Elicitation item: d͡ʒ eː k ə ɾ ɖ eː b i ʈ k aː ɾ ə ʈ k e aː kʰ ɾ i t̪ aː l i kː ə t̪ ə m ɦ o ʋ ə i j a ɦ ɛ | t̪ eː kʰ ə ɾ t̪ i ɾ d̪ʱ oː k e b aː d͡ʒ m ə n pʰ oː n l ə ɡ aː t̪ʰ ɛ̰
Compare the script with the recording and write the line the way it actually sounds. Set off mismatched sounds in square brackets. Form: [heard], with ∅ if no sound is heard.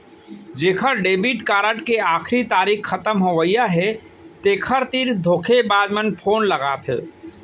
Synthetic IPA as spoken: d͡ʒ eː [kʰ] ə ɾ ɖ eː b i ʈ k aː ɾ ə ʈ k e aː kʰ ɾ i t̪ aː [ɾ] i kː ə t̪ ə m ɦ o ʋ ə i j a ɦ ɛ | t̪ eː kʰ ə ɾ t̪ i ɾ d̪ʱ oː [kʰ] e b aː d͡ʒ m ə n pʰ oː n l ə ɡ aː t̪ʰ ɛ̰